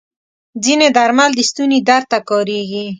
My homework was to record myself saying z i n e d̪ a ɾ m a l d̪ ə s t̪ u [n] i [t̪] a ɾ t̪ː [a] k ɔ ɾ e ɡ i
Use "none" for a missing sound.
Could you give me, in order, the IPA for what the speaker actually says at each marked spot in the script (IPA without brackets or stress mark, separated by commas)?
n, d̪, a